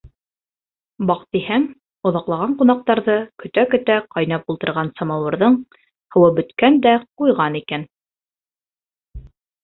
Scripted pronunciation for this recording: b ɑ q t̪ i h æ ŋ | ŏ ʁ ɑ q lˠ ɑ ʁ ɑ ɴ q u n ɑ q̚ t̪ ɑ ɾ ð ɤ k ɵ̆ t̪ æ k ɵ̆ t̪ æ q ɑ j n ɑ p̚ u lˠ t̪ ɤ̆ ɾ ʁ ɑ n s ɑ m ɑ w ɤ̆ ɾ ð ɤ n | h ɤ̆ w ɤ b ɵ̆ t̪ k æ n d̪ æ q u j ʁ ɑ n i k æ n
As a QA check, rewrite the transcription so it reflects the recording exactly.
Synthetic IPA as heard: b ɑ q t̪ i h æ ŋ | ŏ ð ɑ q lˠ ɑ ʁ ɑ ɴ q u n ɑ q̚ t̪ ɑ ɾ ð ɤ k ɵ̆ t̪ æ k ɵ̆ t̪ æ q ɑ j n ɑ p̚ u lˠ t̪ ɤ̆ ɾ ʁ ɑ n s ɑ m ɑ w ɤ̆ ɾ ð ɤ ɴ | h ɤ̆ w ɤ b ɵ̆ t̪ k æ n d̪ æ q u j ʁ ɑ n i k æ n